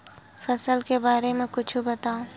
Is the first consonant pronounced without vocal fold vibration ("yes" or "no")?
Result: yes